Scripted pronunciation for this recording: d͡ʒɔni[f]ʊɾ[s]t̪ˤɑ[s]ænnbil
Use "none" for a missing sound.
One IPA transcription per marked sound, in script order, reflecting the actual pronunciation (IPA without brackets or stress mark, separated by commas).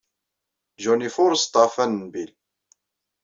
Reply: f, s, f